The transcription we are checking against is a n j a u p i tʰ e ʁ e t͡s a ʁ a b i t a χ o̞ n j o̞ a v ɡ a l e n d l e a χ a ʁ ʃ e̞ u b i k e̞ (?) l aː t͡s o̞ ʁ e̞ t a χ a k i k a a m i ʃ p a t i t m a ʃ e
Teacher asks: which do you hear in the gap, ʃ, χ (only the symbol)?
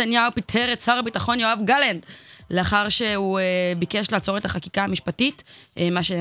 ʃ